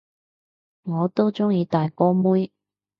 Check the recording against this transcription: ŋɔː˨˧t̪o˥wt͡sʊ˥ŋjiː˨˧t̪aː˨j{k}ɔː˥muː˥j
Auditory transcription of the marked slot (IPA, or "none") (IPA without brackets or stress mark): k